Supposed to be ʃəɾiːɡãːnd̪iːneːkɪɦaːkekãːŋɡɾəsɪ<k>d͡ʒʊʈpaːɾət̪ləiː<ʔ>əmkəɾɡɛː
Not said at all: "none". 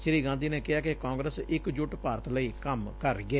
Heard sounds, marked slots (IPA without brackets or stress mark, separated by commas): k, k